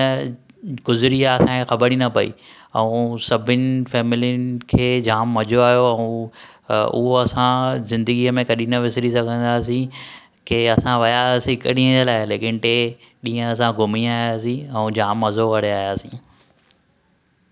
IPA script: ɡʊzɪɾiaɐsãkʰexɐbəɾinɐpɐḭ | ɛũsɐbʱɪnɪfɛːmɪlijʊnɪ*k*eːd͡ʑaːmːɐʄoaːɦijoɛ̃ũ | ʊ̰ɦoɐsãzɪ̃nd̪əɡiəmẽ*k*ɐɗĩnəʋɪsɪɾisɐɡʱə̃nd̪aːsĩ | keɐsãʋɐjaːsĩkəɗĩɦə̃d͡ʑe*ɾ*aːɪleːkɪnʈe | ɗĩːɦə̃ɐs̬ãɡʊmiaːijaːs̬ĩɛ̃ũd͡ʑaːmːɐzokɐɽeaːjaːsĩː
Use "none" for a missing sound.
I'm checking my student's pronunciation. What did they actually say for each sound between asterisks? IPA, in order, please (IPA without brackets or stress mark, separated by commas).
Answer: kʰ, k, l